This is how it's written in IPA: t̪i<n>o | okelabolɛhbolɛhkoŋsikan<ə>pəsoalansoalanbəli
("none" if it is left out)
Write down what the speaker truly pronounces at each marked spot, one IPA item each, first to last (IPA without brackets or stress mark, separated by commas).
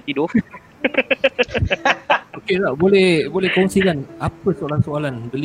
d, a